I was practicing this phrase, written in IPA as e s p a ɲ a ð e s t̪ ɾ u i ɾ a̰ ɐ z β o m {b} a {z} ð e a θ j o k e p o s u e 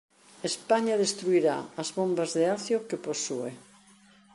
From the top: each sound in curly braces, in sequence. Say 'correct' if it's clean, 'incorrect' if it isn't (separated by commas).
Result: correct, correct